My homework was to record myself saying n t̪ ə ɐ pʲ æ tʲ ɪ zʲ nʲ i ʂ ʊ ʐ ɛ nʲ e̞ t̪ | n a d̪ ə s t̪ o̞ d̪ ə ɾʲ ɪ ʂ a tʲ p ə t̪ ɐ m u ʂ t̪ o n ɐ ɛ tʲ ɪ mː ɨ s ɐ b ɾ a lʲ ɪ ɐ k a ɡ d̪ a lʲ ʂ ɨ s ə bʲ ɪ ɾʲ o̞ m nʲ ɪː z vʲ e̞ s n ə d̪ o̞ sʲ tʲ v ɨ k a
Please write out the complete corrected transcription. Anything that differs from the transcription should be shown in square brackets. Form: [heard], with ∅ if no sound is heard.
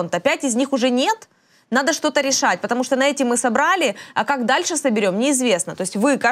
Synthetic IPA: n t̪ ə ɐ pʲ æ tʲ ɪ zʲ nʲ i [x] ʊ ʐ ɛ nʲ e̞ t̪ | n a d̪ ə [ʂ] t̪ o̞ [t̪] ə ɾʲ ɪ ʂ a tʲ p ə t̪ ɐ m u ʂ t̪ o n ɐ ɛ tʲ ɪ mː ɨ s ɐ b ɾ a lʲ ɪ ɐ k a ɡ d̪ a lʲ ʂ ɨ s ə bʲ ɪ ɾʲ o̞ m nʲ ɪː z vʲ e̞ s n ə [t̪] o̞ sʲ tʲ v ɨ k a